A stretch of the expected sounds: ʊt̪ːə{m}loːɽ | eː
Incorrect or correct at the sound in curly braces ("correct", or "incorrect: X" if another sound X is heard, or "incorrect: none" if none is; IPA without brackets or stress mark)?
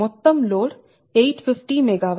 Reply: correct